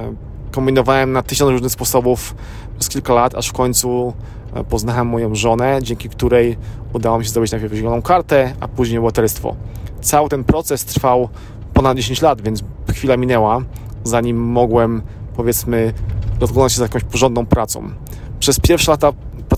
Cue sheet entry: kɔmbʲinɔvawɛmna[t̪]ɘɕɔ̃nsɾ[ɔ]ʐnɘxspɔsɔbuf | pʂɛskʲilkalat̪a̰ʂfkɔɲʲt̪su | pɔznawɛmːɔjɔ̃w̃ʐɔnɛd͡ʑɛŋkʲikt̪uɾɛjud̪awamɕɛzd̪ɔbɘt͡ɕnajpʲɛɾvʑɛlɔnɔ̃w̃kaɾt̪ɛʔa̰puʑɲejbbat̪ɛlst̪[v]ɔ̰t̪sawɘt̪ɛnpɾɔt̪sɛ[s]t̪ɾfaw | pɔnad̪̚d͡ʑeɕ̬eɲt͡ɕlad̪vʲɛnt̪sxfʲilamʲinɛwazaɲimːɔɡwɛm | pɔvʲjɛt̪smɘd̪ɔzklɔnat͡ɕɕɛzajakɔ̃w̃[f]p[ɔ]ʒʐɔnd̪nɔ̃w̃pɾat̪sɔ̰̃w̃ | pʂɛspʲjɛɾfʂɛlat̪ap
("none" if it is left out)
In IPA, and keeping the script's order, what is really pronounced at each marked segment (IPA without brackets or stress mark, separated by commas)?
t̪, u, f, s, ɕ, ɔ